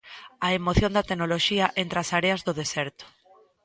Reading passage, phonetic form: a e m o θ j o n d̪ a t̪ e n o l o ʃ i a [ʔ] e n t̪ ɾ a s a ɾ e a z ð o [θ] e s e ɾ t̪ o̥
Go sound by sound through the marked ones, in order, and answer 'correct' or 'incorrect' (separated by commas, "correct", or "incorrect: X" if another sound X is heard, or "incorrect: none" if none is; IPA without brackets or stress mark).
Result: correct, incorrect: ð